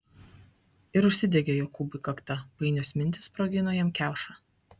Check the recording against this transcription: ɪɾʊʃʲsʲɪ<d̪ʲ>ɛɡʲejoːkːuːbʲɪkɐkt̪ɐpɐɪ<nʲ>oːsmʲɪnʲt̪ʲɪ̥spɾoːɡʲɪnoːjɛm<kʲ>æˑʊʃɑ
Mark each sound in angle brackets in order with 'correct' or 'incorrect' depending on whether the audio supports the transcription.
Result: correct, correct, correct

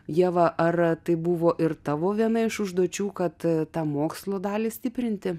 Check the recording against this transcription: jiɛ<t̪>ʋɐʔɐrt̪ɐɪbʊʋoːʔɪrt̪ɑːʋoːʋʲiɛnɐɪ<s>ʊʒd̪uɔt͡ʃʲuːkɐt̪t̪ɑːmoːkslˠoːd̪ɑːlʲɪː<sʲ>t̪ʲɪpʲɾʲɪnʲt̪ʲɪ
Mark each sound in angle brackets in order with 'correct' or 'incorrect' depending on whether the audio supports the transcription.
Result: incorrect: none, incorrect: ʃ, correct

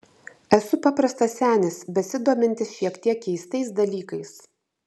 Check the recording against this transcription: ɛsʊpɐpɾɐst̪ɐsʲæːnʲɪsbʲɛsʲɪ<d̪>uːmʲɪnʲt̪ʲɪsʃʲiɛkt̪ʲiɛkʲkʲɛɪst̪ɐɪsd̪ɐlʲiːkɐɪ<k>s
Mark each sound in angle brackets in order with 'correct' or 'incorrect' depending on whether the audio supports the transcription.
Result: correct, incorrect: none

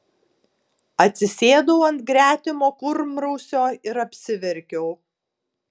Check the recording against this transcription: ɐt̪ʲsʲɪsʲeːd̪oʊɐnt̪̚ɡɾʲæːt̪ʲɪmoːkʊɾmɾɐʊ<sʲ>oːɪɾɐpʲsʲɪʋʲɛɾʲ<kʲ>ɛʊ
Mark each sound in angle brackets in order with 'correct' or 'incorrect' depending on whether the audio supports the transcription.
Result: correct, correct

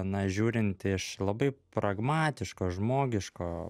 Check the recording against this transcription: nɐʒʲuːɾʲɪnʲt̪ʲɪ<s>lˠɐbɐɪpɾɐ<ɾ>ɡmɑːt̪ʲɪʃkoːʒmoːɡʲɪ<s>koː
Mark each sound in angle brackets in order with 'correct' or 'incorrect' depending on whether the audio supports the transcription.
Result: incorrect: ʃ, incorrect: none, incorrect: ʃ

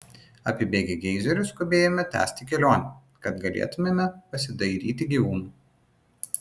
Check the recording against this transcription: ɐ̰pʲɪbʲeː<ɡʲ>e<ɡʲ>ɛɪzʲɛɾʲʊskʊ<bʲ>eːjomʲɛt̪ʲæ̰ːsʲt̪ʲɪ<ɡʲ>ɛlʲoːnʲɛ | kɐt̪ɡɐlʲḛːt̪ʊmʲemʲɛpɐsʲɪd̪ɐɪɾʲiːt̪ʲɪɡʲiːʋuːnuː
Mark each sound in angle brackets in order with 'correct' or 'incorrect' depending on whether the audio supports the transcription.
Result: correct, correct, correct, incorrect: kʲ

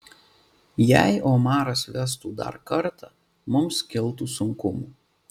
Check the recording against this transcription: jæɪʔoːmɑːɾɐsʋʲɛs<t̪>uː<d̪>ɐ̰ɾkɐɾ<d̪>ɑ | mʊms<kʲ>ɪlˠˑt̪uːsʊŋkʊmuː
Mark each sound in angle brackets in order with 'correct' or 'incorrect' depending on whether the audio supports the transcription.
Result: correct, correct, incorrect: t̪, correct

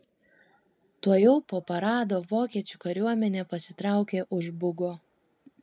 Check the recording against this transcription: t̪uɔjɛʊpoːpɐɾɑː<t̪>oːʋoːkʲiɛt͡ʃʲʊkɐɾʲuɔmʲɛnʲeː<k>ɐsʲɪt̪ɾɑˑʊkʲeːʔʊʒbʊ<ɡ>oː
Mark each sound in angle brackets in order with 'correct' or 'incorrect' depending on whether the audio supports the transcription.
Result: incorrect: d̪, incorrect: p, correct

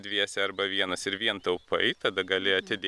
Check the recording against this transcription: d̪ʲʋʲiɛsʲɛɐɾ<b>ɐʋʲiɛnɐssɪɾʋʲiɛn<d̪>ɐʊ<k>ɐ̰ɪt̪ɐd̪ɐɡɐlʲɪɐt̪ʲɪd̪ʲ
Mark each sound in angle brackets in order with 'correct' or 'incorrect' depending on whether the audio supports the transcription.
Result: correct, incorrect: t̪, incorrect: p

